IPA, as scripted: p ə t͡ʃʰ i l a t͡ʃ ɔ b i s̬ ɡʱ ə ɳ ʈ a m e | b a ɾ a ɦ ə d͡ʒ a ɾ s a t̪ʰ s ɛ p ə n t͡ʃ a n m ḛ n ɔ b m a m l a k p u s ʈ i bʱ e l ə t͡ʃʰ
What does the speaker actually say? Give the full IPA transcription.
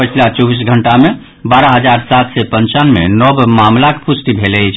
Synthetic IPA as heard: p ə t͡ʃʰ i l a t͡ʃ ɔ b i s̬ ɡʱ ə ɳ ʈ a m e | b a ɾ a ɦ ə d͡ʒ a ɾ s a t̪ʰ s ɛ p ə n t͡ʃ a n m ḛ n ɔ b m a m l a k p u s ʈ i bʱ e l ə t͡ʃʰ